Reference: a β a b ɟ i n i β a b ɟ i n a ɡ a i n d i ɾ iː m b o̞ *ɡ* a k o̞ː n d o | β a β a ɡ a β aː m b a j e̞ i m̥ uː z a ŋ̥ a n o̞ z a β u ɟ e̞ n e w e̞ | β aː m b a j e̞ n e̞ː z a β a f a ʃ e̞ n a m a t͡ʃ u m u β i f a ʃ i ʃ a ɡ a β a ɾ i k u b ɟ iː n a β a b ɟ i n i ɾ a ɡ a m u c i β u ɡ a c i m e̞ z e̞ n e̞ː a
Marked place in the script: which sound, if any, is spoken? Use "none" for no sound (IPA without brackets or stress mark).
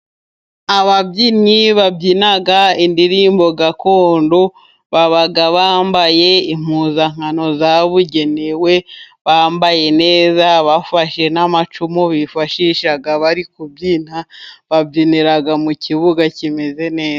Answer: ɡ